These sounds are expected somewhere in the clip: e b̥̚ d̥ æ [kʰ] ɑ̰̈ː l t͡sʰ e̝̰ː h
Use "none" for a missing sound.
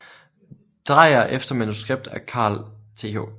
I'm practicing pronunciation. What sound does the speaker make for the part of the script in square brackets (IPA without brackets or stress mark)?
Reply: kʰ